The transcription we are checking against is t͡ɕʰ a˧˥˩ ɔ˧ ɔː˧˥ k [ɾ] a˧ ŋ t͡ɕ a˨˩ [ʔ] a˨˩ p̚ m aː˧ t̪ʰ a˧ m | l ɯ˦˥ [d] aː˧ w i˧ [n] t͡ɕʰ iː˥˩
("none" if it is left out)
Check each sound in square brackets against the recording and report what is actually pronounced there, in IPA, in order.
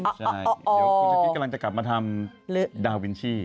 l, k, d, n

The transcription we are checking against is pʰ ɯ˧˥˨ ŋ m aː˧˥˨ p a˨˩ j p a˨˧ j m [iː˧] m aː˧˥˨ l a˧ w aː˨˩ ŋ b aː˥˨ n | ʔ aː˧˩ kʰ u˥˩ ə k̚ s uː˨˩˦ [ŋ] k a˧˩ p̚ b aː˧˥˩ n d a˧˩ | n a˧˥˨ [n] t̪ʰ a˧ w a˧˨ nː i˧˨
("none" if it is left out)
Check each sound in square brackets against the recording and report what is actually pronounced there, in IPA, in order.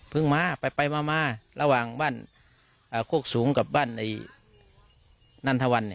aː˧, ŋ, n

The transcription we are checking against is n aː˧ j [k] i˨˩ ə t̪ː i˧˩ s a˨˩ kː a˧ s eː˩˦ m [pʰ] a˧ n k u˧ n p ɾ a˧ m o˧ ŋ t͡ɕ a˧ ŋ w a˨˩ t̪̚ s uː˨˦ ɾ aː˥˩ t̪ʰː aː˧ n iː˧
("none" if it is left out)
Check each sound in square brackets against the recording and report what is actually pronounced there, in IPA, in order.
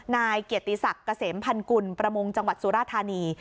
k, pʰ

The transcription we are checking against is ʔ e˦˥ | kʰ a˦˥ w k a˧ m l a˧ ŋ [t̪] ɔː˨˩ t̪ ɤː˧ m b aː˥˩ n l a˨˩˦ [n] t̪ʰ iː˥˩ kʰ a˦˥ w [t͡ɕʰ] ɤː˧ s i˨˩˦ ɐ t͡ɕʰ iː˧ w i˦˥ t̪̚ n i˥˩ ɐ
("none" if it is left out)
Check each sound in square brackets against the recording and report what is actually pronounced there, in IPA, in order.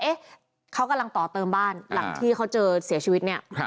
t̪, ŋ, t͡ɕ

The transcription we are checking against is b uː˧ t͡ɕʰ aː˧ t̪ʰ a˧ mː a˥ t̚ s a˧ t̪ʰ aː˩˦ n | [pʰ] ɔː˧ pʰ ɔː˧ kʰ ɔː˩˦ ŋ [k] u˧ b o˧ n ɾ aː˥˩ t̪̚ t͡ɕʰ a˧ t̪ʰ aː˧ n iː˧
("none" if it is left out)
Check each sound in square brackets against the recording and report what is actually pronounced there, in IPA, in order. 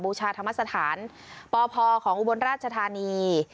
p, ʔ

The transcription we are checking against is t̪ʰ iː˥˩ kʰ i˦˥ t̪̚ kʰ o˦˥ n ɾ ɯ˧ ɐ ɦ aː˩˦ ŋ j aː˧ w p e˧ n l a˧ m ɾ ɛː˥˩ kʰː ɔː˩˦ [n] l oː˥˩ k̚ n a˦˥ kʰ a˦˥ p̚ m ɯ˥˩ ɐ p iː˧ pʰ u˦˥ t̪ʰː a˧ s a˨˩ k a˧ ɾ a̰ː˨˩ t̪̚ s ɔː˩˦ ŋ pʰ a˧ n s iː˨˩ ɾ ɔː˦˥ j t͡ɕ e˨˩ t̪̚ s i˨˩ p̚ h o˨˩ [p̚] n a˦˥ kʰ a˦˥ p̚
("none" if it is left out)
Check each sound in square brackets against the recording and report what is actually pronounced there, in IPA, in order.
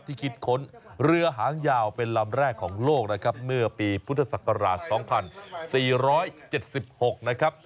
ŋ, k̚

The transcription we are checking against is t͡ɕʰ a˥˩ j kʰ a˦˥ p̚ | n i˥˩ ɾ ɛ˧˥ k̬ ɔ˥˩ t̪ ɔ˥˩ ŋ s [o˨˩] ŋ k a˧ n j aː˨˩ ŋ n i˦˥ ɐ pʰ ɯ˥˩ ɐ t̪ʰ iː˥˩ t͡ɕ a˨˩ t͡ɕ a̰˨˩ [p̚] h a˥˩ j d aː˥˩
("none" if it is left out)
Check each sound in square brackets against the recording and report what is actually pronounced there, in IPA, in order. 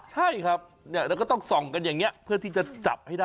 ɔ˨˩, p̚

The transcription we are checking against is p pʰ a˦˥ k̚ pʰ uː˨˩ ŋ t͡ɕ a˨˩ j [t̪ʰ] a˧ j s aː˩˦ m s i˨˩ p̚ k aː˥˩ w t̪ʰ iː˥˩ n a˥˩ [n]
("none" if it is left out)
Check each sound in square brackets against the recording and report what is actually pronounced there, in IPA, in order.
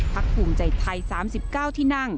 t̪ʰ, ŋ

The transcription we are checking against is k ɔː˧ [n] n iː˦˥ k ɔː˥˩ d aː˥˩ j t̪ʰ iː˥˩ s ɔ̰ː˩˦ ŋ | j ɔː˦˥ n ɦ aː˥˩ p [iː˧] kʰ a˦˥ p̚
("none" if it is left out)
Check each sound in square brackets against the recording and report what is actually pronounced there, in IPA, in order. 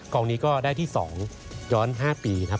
ŋ, iː˧

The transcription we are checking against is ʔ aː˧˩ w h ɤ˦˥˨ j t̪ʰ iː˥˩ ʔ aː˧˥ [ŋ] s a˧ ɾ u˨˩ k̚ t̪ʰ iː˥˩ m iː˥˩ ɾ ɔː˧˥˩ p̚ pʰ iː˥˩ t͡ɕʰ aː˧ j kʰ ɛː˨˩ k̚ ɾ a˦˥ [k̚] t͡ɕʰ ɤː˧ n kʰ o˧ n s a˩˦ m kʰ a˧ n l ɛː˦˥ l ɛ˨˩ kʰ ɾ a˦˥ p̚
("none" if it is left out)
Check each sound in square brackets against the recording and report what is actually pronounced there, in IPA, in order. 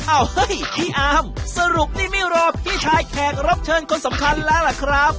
m, p̚

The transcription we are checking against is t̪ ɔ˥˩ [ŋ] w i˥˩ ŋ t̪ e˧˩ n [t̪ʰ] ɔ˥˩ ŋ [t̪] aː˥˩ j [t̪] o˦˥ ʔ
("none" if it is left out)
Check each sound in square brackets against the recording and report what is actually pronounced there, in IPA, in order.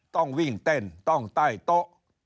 ŋ, t̪, t̪, t̪

